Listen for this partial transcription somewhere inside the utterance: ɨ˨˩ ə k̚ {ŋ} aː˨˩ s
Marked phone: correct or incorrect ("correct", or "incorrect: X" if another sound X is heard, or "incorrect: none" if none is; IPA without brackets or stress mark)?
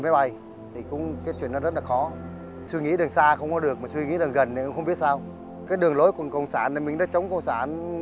incorrect: m